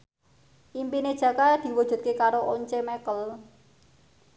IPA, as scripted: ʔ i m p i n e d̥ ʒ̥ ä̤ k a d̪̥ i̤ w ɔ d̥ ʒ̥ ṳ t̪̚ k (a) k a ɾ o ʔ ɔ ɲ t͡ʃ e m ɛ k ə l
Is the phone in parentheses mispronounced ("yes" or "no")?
yes